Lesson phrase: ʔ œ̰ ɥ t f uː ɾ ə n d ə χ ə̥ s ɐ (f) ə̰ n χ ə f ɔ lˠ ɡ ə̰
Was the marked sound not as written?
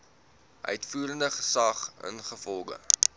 yes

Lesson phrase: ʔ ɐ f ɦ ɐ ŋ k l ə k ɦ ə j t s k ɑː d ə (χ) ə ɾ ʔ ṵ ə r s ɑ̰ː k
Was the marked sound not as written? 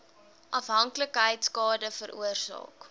yes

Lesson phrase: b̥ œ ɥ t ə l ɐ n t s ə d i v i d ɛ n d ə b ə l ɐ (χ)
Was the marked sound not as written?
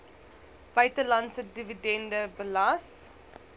yes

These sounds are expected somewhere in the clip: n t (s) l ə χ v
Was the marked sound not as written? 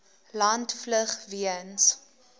yes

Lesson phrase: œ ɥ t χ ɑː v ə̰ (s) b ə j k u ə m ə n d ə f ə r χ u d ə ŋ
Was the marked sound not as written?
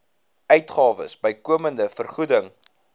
no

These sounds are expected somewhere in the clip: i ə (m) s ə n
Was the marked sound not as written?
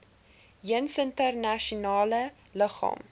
yes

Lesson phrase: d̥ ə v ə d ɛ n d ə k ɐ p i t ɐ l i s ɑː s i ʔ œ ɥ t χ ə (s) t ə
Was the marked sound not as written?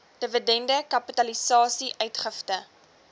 yes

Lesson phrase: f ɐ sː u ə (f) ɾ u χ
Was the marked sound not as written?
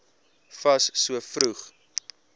no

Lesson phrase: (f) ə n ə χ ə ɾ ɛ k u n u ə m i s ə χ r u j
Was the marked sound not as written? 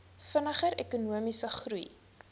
no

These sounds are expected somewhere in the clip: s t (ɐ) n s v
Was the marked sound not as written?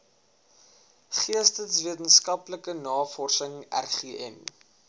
yes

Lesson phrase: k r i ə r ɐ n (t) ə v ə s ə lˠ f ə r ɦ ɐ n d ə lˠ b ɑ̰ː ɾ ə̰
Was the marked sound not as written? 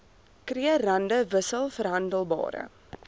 yes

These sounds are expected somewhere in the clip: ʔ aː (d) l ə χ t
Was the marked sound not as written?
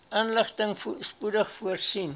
yes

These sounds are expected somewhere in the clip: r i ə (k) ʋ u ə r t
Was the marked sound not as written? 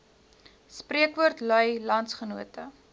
no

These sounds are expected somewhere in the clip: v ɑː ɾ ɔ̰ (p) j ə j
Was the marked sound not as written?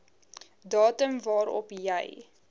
no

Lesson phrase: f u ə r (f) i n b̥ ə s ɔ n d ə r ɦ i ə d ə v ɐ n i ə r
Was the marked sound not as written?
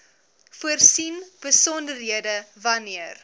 yes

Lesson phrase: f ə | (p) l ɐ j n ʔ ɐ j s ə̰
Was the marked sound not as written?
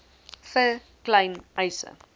yes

